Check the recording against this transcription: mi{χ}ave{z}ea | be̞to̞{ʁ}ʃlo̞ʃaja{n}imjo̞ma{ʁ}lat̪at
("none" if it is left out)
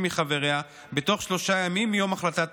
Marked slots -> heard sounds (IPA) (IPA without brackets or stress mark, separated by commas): χ, ʁ, χ, m, χ